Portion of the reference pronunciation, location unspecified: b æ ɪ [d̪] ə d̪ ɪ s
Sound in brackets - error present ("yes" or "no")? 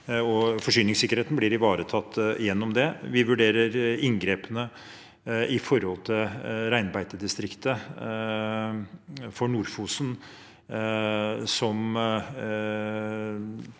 yes